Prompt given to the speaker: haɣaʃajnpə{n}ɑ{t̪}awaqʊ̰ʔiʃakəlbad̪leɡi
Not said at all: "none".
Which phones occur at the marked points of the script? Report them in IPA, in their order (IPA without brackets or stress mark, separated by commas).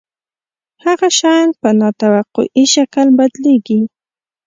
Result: n, t̪